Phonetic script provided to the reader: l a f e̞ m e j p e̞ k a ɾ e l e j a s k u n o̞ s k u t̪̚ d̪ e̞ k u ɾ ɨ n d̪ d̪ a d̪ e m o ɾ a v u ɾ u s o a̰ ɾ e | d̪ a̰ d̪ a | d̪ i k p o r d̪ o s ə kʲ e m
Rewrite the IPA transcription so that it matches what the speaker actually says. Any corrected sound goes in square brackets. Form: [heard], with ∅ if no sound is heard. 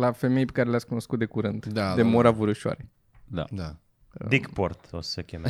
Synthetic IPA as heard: l a f e̞ m e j p e̞ k a ɾ e l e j a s k u n o̞ s k u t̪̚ d̪ e̞ k u ɾ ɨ n d̪ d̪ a d̪ e m o ɾ a v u ɾ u [ʃ] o a̰ ɾ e | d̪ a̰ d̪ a | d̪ i k p o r [t̪] o s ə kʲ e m